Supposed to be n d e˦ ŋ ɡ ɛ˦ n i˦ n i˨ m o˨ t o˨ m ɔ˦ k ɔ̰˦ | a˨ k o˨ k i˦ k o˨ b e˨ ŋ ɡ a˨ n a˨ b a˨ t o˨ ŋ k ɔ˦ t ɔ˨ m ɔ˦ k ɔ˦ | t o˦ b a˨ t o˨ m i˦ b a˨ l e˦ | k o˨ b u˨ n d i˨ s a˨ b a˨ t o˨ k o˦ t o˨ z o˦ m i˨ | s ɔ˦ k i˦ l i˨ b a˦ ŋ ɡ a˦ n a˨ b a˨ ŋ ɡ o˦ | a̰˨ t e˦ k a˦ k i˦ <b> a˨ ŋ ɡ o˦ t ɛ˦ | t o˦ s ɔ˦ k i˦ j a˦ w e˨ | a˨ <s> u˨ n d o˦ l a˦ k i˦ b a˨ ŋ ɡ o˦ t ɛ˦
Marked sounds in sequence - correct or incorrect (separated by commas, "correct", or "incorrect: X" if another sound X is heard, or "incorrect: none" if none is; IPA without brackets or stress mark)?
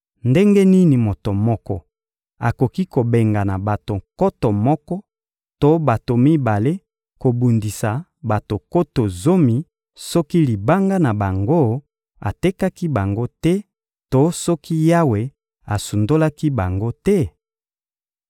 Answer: correct, correct